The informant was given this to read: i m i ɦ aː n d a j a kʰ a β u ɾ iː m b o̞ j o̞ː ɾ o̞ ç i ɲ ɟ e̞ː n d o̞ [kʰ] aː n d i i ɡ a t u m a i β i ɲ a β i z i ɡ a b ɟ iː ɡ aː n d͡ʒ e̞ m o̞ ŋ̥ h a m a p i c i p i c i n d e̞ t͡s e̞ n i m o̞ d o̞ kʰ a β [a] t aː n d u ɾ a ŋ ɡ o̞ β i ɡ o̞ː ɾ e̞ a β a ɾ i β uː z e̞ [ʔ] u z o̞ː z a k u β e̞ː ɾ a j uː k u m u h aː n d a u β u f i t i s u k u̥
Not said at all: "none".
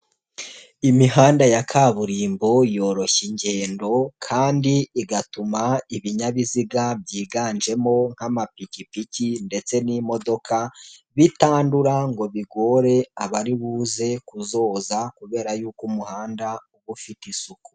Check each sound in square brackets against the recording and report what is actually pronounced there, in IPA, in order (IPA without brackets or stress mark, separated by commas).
kʰ, i, k